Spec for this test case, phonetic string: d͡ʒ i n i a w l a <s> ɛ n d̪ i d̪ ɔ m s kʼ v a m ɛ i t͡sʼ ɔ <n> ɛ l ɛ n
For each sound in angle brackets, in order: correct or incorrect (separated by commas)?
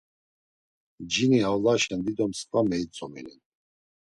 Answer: incorrect, incorrect